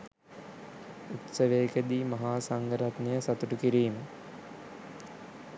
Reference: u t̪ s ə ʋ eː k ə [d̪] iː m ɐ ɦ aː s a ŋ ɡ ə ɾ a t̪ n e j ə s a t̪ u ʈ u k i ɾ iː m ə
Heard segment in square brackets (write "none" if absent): d̪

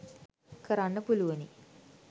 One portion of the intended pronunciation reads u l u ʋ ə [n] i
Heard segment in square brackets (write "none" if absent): n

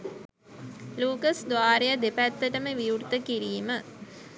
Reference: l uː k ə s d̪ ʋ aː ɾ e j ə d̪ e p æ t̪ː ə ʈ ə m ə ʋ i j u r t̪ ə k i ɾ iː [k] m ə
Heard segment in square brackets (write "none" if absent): none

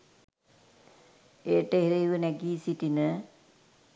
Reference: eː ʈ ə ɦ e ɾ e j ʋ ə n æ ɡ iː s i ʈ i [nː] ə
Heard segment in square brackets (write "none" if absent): n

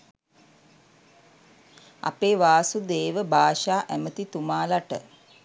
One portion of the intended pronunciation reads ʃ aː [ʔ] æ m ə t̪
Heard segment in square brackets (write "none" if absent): ʔ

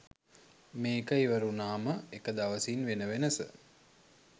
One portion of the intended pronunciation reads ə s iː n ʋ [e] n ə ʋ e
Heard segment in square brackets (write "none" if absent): e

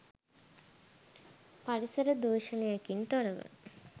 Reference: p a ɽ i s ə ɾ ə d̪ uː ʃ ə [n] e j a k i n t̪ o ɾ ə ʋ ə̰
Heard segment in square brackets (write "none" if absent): n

